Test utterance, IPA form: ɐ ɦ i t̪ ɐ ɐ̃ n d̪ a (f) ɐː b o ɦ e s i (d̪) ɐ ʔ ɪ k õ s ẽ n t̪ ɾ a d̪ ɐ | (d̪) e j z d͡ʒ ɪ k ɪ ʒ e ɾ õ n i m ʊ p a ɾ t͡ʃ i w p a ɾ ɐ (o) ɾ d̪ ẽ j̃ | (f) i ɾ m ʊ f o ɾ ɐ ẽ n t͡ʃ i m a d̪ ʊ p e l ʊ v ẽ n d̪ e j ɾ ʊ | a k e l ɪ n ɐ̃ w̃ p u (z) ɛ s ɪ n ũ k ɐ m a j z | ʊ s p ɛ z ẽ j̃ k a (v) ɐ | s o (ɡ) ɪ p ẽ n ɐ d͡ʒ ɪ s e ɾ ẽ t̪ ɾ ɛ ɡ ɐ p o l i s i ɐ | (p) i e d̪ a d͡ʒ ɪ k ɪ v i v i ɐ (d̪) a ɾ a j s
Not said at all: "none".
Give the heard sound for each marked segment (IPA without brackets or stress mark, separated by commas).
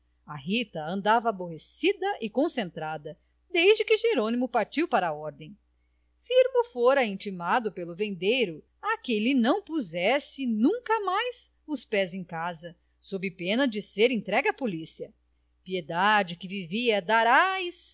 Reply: v, d̪, d̪, ɔ, f, z, z, b, p, d̪